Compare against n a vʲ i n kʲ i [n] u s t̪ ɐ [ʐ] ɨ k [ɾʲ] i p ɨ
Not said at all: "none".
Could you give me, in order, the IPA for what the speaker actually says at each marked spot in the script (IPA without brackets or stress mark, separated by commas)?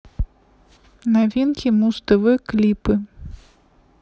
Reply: m, v, lʲ